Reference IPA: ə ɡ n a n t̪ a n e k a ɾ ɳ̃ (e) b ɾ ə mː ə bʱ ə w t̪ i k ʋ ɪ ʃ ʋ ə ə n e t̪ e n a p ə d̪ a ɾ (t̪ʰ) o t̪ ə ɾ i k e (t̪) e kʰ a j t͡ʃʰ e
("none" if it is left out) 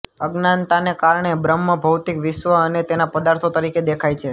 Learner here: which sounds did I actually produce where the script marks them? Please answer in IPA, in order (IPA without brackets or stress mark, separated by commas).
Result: e, t̪ʰ, d̪